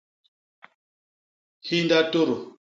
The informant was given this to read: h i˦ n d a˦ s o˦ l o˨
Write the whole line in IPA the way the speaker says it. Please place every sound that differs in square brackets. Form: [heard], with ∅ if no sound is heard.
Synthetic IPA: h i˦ n d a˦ [t] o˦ [ɾ] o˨